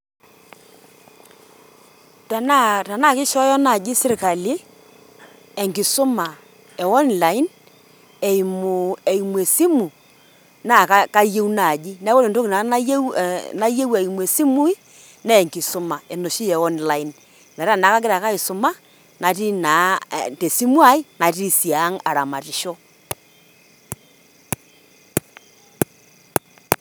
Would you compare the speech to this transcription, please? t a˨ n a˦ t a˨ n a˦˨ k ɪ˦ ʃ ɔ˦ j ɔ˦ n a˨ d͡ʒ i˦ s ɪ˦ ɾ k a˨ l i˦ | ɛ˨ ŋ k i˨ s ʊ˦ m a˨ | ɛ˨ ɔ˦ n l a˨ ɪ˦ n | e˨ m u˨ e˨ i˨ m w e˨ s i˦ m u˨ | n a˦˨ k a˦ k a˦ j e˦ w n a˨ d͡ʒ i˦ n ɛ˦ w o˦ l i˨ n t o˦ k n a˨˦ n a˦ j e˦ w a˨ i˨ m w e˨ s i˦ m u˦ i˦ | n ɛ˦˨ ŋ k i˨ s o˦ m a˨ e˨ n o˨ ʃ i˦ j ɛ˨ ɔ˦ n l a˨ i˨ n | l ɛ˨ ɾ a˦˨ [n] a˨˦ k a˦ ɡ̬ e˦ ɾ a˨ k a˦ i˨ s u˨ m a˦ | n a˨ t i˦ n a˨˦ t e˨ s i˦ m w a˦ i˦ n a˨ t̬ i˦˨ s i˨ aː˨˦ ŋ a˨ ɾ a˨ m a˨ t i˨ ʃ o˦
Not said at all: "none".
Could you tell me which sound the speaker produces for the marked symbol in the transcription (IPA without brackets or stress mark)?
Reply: n